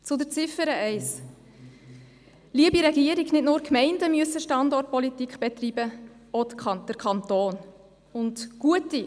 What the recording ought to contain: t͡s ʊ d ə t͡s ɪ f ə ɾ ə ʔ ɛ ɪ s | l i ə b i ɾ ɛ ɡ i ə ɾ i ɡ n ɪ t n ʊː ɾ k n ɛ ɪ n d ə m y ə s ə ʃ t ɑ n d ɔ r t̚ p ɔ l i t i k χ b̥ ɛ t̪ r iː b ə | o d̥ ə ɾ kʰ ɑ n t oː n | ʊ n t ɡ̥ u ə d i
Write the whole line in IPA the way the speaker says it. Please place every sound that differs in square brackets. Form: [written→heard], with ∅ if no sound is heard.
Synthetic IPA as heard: t͡s ʊ d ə t͡s ɪ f ə ɾ ə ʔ ɛ ɪ s | l i ə b i ɾ ɛ ɡ i ə ɾ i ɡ n ɪ t n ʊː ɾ k [n→m] ɛ ɪ n d ə m y ə s ə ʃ t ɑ n d ɔ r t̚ p ɔ l i t i k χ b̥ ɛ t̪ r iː b ə | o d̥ ə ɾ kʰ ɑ n t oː n | ʊ n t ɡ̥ u ə [d→t] i